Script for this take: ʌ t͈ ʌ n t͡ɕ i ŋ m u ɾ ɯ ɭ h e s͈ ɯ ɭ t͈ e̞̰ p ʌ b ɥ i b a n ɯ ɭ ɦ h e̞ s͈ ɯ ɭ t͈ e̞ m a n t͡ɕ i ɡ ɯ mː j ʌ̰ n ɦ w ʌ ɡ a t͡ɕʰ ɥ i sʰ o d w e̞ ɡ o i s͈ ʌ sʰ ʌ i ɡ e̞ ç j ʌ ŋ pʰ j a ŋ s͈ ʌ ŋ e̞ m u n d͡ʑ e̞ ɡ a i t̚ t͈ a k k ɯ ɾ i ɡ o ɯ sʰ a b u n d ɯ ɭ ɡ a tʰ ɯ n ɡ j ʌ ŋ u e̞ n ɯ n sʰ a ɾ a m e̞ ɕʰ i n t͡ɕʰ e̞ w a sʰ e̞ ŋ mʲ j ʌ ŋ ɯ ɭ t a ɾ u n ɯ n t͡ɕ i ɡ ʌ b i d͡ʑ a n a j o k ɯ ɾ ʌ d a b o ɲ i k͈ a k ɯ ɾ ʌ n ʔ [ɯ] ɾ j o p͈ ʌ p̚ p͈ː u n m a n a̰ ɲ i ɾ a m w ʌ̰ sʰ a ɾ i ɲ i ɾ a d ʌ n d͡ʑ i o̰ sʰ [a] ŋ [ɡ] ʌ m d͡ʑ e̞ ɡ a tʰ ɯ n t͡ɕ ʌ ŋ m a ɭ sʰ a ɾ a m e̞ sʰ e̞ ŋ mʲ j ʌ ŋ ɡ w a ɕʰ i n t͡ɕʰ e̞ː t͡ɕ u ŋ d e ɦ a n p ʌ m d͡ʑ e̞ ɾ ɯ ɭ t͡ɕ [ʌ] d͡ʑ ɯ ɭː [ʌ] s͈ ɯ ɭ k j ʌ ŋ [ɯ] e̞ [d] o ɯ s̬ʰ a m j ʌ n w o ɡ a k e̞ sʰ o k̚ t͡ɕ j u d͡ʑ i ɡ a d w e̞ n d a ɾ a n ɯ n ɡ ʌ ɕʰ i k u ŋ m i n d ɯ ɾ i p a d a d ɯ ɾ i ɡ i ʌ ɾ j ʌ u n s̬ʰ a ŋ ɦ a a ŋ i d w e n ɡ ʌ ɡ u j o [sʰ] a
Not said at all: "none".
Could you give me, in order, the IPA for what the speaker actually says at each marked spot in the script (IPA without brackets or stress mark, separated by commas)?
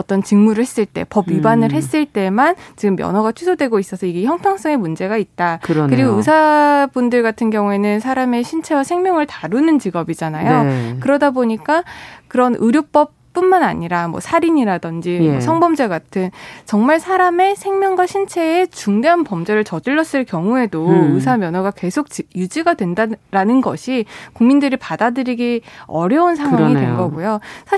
ɯ, ʌ, b, ʌ, ʌ, u, d, sʰ